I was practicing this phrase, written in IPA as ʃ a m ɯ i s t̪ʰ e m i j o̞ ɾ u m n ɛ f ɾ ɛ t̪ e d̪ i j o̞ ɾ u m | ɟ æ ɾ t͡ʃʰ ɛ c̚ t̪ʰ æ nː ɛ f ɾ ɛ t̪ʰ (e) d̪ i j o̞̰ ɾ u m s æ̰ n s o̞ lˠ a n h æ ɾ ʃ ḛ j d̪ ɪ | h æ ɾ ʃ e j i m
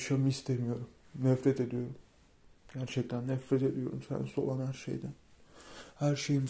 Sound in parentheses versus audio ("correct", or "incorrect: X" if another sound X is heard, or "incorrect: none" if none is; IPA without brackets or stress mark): correct